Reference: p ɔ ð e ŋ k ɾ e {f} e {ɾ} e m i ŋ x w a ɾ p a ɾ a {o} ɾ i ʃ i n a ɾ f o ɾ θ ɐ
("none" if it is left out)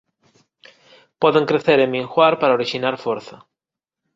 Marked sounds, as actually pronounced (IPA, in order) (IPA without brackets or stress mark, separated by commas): θ, ɾ, o